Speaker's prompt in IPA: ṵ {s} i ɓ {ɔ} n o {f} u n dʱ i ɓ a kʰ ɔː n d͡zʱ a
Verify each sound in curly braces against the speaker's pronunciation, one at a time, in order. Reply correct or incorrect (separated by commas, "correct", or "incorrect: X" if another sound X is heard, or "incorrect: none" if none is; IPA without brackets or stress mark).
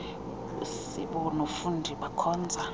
correct, correct, correct